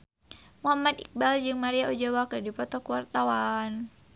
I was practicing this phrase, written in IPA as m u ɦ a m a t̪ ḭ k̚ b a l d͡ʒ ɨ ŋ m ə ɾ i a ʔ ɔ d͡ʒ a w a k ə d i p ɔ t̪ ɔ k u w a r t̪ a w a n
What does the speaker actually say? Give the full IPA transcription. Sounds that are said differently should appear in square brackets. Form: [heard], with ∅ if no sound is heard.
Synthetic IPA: m u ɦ a m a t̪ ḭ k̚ b a l d͡ʒ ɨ ŋ m [a] ɾ i a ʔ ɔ d͡ʒ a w a k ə d i p ɔ t̪ ɔ k u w a r t̪ a w a n